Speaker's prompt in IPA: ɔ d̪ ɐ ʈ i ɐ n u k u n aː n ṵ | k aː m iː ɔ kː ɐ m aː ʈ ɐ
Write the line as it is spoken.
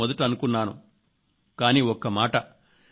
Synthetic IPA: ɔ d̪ ɐ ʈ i ɐ n u k u nː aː n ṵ | k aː n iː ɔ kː ɐ m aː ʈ ɐ